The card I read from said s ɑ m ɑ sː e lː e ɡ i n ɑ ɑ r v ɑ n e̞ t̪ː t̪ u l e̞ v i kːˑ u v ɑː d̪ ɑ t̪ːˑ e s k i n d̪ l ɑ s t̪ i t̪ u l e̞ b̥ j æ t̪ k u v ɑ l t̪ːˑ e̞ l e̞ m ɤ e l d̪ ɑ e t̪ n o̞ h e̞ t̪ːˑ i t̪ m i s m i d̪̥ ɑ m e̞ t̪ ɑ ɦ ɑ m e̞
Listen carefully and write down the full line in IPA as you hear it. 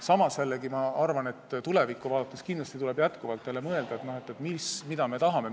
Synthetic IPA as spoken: s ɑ m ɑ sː e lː e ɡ i m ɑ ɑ r v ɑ n e̞ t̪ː t̪ u l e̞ v i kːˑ u v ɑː d̪ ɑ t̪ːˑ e s k i n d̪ l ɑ s t̪ i t̪ u l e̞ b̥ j æ t̪ k u v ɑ l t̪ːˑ e̞ l e̞ m ɤ e l d̪ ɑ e t̪ n o̞ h e̞ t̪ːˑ e t̪ m i s m i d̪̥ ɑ m e̞ t̪ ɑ ɦ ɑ m e̞